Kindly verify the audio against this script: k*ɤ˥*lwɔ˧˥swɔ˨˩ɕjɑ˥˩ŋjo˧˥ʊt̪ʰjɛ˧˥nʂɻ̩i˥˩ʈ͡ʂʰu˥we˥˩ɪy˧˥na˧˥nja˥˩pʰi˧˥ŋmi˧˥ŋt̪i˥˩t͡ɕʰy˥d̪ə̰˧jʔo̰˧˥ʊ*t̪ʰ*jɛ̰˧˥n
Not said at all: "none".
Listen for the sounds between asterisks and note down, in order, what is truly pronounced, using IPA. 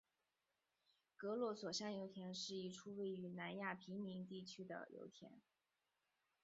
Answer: ɤ˧˥, t̪ʰ

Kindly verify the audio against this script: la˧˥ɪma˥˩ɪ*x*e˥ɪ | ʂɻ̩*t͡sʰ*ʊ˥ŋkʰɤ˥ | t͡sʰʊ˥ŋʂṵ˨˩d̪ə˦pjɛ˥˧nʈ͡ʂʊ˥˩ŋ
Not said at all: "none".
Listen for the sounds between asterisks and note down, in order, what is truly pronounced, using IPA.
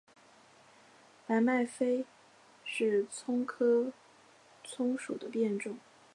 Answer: f, t͡sʰ

